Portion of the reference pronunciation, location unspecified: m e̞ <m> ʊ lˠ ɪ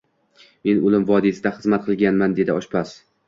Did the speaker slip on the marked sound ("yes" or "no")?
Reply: yes